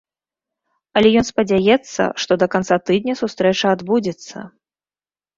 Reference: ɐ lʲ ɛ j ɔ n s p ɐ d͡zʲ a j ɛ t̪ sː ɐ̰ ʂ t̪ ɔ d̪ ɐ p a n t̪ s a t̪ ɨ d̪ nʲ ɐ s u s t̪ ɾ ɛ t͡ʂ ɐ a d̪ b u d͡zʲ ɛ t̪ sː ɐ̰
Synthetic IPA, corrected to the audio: ɐ lʲ ɛ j ɔ n s p ɐ d͡zʲ a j ɛ t̪ sː ɐ̰ ʂ t̪ ɔ d̪ ɐ k a n t̪ s a t̪ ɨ d̪ nʲ ɐ s u s t̪ ɾ ɛ t͡ʂ ɐ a d̪ b u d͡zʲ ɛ t̪ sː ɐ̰